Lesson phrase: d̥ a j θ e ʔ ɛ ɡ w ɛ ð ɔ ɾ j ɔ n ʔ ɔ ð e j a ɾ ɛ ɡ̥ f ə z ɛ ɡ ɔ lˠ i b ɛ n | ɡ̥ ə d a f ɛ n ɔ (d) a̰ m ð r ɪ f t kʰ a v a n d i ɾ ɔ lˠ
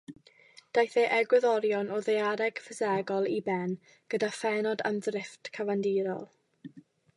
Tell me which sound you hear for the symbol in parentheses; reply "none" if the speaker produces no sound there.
d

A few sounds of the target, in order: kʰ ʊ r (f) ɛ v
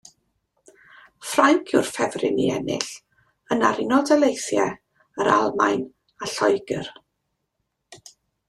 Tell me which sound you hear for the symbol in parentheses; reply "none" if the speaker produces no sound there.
f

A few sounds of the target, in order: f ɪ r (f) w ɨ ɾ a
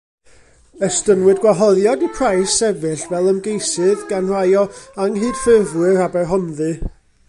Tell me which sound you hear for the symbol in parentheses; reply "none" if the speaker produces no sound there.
v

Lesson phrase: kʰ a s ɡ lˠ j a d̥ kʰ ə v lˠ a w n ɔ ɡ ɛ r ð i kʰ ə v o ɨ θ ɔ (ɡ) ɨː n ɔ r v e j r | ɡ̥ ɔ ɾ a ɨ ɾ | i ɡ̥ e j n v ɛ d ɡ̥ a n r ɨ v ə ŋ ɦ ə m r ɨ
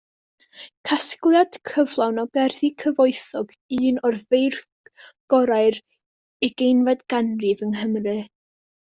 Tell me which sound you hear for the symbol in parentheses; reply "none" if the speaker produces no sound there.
ɡ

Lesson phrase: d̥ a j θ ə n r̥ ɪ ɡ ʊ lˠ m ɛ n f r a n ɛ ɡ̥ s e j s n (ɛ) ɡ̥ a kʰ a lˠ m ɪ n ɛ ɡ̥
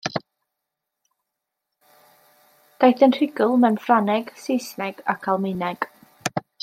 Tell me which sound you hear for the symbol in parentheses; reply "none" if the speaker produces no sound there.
ɛ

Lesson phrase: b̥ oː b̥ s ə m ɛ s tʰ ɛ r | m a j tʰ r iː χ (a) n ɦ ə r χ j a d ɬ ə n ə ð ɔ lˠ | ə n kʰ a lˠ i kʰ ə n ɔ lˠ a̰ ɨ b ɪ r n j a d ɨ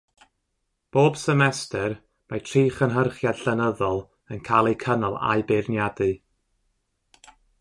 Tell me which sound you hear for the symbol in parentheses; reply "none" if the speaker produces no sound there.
ə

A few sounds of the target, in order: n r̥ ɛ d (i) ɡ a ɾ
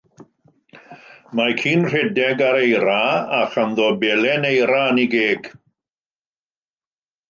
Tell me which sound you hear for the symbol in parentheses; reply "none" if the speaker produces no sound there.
ɛ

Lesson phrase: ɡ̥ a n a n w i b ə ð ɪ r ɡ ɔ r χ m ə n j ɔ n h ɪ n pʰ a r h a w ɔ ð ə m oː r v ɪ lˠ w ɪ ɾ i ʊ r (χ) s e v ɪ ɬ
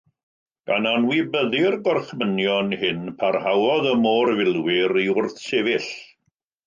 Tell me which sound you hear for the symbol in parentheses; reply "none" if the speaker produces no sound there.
θ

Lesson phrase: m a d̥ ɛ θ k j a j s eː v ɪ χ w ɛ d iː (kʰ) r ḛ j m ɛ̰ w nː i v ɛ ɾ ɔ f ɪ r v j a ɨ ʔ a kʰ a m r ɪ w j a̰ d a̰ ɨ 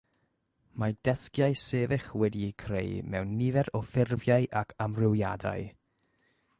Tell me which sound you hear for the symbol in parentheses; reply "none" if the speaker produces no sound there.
kʰ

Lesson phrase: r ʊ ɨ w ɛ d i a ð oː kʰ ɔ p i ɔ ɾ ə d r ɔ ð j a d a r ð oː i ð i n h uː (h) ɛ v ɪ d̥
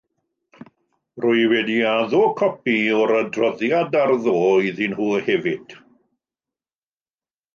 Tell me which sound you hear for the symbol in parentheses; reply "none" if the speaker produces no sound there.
h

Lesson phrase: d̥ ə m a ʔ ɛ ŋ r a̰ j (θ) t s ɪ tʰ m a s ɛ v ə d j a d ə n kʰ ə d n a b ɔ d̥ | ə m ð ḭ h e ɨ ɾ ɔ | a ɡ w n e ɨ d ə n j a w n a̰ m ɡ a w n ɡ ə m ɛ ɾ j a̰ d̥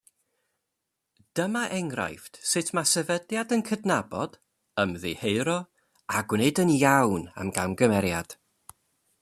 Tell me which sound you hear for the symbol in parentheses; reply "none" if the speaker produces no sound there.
f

